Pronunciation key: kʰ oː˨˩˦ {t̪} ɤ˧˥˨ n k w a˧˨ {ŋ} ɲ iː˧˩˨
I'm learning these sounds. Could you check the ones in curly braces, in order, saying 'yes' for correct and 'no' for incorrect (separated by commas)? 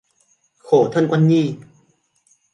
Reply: no, no